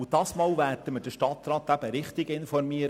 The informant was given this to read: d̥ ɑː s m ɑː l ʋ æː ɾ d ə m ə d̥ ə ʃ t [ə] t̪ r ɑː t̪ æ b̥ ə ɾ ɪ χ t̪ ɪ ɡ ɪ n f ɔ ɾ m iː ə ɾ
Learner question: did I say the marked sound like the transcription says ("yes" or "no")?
no